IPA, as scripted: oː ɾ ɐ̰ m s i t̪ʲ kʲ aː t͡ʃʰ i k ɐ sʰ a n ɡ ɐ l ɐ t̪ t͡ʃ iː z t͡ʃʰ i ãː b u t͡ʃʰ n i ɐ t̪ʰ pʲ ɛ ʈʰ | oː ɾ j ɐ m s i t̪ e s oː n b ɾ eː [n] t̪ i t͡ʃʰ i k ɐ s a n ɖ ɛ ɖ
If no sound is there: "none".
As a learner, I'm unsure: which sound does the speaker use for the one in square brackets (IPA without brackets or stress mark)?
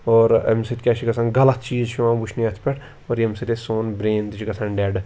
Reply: n